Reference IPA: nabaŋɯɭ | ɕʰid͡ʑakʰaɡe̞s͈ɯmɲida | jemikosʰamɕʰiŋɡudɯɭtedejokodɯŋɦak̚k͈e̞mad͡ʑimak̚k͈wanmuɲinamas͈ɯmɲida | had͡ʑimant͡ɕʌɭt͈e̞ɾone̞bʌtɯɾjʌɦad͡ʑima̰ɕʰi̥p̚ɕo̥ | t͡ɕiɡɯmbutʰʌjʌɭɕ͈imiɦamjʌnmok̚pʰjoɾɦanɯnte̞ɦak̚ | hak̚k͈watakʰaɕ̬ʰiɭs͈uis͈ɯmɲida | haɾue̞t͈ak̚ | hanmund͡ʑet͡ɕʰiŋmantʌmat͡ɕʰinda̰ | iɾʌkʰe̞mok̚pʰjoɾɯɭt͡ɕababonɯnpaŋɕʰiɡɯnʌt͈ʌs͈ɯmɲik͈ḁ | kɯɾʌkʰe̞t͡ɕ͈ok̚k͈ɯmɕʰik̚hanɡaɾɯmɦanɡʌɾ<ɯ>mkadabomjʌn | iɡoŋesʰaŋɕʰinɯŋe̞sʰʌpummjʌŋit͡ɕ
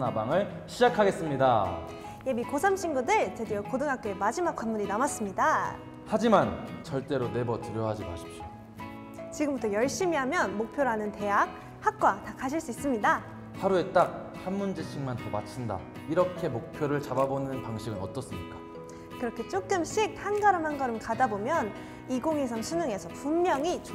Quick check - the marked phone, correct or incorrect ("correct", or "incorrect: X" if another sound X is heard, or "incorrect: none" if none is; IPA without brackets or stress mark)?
correct